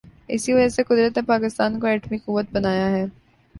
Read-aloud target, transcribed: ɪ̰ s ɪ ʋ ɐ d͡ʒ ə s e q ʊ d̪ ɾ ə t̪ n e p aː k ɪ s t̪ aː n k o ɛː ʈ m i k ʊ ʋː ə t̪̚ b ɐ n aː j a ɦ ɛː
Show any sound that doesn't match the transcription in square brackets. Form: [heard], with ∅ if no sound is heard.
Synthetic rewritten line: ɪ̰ s [i] ʋ ɐ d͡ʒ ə s e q ʊ d̪ ɾ ə t̪ n e p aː k ɪ s t̪ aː n k o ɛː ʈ m i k ʊ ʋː ə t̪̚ b ɐ n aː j a ɦ ɛː